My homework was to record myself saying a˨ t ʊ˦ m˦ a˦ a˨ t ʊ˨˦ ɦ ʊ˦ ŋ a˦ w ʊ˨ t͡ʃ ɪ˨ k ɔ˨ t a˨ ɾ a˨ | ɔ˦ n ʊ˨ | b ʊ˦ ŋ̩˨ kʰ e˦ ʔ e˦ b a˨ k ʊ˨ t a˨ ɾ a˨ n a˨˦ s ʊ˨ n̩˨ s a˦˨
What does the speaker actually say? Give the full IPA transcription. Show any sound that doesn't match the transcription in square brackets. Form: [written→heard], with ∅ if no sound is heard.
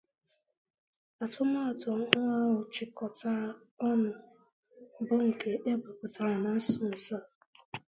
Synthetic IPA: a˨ t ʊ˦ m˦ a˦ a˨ t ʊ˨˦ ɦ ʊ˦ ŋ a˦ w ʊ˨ t͡ʃ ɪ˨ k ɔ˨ t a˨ ɾ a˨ | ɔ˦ n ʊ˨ | b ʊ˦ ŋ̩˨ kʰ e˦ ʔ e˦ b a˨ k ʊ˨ t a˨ ɾ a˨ n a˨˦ s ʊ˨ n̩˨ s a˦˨